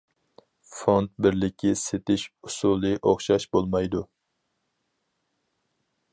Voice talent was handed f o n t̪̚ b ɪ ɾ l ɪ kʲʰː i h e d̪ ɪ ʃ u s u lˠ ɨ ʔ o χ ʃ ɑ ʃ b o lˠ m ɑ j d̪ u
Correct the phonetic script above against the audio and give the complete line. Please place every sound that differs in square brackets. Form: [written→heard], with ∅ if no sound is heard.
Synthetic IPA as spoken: f o n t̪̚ b ɪ ɾ l ɪ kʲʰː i [h→s] e [d̪→t̪] ɪ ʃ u s u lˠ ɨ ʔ o χ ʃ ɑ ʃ b o lˠ m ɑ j d̪ u